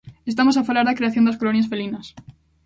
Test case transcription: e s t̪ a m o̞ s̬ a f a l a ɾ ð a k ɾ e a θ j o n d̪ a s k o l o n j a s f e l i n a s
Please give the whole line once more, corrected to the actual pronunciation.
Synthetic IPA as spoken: e s t̪ a m o̞ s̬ a f a l a ɾ ð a k ɾ e a θ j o n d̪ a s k o l o n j a s f e l i n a s